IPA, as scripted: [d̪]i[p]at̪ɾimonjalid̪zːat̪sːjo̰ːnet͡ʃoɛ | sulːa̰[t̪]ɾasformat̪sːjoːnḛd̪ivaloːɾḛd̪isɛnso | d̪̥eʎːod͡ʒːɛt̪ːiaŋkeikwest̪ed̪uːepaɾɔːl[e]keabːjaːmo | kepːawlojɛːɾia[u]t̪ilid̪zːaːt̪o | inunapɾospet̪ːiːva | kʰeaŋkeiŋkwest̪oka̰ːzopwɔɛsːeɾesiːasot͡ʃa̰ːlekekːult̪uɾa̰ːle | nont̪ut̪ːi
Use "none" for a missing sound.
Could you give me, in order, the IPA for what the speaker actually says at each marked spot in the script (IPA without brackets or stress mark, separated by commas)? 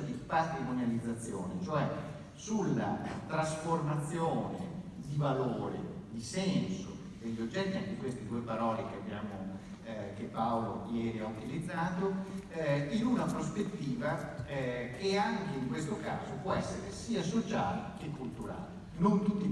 d̪, p, t̪, e, u